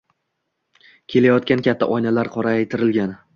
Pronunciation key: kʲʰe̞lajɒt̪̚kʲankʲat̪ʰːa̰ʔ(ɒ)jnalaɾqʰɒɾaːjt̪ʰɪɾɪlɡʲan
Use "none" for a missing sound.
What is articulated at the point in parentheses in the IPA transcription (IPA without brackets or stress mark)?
ɒ